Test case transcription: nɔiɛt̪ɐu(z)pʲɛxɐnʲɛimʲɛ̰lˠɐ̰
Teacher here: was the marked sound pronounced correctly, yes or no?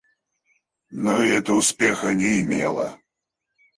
no